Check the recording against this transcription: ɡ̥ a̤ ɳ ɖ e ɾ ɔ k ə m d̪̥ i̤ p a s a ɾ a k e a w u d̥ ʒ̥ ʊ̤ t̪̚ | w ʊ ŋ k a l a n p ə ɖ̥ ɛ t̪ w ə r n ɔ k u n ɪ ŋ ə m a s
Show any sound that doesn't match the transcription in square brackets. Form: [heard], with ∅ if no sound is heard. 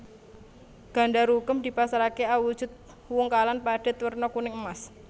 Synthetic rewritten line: ɡ̥ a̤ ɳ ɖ [a] ɾ [u] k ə m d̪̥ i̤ p a s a ɾ a k e a w u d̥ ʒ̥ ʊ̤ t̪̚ | w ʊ ŋ k a l a n p [a] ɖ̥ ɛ t̪ w ə r n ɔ k u n ɪ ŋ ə m a s